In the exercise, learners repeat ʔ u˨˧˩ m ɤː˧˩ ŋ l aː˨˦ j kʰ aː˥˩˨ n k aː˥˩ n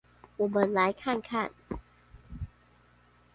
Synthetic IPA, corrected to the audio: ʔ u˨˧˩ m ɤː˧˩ n l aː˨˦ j kʰ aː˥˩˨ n kʰ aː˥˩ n